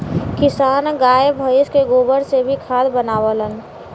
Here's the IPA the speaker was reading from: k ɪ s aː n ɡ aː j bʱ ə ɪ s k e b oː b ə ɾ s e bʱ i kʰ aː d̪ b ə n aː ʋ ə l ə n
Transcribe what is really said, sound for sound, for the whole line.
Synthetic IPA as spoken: k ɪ s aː n ɡ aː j bʱ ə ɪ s k e ɡ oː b ə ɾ s e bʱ i kʰ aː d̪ b ə n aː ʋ ə l ə n